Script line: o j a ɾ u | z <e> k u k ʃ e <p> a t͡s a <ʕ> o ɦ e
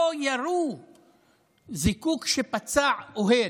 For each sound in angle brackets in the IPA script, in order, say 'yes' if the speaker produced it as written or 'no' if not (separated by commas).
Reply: no, yes, yes